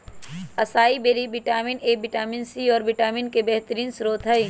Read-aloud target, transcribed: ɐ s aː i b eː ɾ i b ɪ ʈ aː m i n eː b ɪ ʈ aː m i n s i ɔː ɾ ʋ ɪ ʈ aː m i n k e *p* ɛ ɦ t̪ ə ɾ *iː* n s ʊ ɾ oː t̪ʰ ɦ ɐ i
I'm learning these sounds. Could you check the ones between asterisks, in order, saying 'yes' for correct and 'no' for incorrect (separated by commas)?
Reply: no, yes